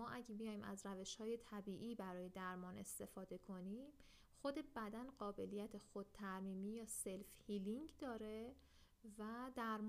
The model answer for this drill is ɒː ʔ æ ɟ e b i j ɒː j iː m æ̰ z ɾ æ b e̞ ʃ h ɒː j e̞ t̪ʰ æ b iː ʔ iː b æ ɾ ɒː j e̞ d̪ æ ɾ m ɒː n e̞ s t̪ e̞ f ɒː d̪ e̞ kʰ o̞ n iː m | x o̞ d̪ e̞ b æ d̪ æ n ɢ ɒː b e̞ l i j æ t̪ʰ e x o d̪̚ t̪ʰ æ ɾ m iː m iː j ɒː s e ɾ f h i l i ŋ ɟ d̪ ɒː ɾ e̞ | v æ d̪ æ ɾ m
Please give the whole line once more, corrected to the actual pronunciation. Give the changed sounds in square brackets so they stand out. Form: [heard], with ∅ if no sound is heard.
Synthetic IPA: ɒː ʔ æ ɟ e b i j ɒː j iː m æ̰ z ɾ æ [v] e̞ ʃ h ɒː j e̞ t̪ʰ æ b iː ʔ iː b æ ɾ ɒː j e̞ d̪ æ ɾ m ɒː n e̞ s t̪ e̞ f ɒː d̪ e̞ kʰ o̞ n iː m | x o̞ d̪ e̞ b æ d̪ æ n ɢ ɒː b e̞ l i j æ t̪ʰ e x o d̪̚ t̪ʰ æ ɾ m iː m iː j ɒː s e [l] f h i l i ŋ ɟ d̪ ɒː ɾ e̞ | v æ d̪ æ ɾ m